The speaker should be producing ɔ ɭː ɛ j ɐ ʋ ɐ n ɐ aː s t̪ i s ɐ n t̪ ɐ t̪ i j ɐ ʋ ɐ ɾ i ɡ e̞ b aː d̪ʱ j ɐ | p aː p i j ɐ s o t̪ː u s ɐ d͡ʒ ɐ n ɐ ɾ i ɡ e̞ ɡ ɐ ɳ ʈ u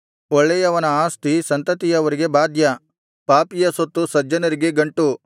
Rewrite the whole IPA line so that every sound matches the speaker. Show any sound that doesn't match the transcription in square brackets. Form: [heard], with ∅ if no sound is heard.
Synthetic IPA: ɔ ɭː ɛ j ɐ ʋ ɐ n ɐ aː s t̪ i s ɐ n t̪ ɐ t̪ i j ɐ ʋ ɐ ɾ i ɡ e̞ b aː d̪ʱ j ɐ | p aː p i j ɐ s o t̪ː u s ɐ d͡ʒ ɐ n ɐ ɾ i ɡ e̞ ɡ ɐ ɳ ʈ u